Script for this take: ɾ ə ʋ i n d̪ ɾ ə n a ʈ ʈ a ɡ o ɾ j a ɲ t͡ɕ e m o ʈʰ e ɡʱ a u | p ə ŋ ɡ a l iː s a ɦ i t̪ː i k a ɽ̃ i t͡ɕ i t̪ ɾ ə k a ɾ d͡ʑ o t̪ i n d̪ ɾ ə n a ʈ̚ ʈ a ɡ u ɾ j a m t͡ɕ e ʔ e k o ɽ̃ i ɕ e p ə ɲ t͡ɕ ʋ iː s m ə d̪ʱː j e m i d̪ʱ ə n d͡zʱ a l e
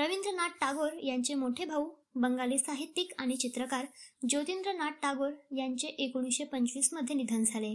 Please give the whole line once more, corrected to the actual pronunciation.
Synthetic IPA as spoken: ɾ ə ʋ i n d̪ ɾ ə n a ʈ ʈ a ɡ o ɾ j a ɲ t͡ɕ e m o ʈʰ e bʱ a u | b ə ŋ ɡ a l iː s a ɦ i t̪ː i k a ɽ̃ i t͡ɕ i t̪ ɾ ə k a ɾ d͡ʑ o t̪ i n d̪ ɾ ə n a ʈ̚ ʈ a ɡ o ɾ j a ɲ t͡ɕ e ʔ e k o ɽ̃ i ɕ e p ə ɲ t͡ɕ ʋ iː s m ə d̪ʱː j e n i d̪ʱ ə n d͡zʱ a l e